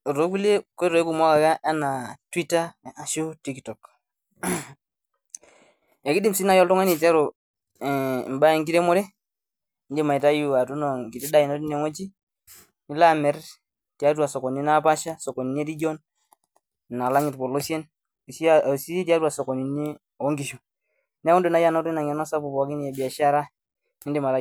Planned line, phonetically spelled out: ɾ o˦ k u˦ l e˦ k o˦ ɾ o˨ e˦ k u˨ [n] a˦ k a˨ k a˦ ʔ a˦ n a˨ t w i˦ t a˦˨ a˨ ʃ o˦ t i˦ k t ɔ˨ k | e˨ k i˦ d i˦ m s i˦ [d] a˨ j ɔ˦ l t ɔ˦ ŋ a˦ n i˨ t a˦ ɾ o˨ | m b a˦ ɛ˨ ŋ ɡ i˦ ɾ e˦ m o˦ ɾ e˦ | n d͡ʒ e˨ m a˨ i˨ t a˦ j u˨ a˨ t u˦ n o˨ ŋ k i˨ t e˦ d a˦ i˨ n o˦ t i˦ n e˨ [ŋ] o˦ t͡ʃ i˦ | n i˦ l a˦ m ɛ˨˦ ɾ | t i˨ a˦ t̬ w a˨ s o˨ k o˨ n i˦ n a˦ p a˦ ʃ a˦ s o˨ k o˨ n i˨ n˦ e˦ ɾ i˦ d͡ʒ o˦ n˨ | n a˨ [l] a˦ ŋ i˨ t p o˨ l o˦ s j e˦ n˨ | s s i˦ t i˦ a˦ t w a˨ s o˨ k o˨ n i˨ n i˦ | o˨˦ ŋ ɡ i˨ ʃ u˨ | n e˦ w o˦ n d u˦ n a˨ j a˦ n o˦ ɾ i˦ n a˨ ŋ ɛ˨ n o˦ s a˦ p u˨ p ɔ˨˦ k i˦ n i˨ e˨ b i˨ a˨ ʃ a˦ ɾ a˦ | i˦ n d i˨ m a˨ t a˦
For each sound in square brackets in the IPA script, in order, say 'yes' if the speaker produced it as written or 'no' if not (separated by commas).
no, no, yes, yes